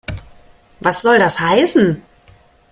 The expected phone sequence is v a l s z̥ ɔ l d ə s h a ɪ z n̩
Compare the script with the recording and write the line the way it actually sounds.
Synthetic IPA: v a s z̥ ɔ l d a s h a ɪ s n̩